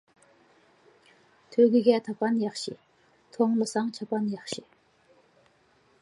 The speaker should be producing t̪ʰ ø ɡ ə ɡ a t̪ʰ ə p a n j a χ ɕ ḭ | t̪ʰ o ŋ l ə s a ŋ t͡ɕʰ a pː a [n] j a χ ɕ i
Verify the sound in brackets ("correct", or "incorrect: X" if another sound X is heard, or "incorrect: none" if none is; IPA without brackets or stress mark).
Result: correct